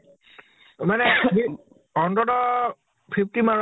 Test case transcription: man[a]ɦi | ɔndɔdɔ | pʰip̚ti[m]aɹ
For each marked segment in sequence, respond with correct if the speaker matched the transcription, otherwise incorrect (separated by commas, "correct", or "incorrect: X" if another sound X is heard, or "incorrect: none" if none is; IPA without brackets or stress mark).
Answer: incorrect: ɛ, correct